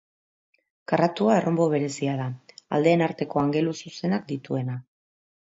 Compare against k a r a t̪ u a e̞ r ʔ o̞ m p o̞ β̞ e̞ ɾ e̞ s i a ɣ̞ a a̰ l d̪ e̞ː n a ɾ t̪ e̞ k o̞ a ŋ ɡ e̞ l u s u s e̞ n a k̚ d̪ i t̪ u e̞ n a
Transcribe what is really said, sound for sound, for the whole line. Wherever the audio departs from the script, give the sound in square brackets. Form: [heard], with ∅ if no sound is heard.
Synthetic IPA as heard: k a r a t̪ u a e̞ r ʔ o̞ m [b] o̞ β̞ e̞ ɾ e̞ s i a [ð̞] a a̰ l d̪ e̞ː n a ɾ t̪ e̞ k o̞ a ŋ ɡ e̞ l u s u s e̞ n a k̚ d̪ i t̪ u e̞ n a